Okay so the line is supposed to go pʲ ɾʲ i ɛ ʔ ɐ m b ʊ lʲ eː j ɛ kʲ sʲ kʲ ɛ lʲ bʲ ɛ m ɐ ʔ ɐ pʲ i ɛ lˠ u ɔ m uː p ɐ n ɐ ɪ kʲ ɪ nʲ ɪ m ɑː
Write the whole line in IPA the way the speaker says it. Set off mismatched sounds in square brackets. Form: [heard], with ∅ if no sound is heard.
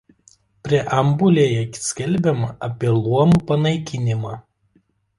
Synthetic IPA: pʲ ɾʲ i ɛ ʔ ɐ m b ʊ lʲ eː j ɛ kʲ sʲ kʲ ɛ lʲ bʲ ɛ m ɐ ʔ ɐ pʲ i ɛ lˠ u ɔ m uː p ɐ n ɐ ɪ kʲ ɪ nʲ ɪ m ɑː